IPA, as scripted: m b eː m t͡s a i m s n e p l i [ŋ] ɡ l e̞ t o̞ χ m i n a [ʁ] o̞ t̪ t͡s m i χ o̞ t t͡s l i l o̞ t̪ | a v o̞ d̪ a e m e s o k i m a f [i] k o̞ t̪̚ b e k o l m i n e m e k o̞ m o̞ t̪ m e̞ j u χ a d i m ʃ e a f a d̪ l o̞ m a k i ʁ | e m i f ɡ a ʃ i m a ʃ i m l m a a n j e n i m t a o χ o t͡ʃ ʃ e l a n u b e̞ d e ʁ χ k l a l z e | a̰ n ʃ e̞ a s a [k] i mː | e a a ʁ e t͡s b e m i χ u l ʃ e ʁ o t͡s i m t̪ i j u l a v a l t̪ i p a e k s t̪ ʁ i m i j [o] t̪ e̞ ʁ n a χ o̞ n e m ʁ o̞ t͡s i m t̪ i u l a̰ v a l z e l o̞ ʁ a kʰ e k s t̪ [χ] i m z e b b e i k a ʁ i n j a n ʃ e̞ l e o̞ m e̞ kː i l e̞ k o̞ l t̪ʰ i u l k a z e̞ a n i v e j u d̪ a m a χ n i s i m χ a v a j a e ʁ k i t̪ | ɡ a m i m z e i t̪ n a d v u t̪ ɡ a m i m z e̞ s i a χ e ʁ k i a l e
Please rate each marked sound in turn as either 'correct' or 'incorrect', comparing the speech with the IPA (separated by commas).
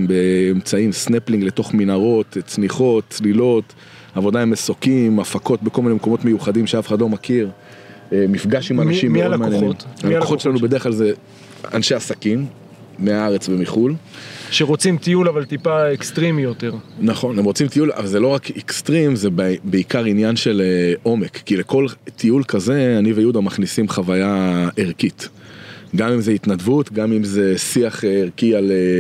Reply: correct, correct, incorrect, correct, correct, incorrect